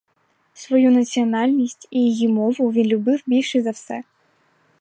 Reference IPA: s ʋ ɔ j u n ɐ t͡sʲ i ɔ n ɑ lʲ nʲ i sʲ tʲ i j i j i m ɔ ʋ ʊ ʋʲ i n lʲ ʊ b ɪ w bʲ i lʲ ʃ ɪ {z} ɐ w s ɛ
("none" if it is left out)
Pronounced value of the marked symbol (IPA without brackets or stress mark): z